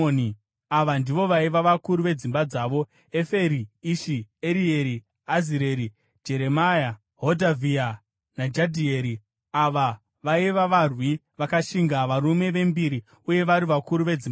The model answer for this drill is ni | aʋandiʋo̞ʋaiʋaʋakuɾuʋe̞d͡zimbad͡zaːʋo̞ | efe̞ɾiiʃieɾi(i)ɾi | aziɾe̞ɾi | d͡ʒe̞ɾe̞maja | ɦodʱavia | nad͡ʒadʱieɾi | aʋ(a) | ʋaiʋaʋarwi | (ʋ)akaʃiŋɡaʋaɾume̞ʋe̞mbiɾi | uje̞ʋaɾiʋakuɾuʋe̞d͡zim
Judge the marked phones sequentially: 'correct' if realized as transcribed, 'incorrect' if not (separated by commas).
incorrect, correct, correct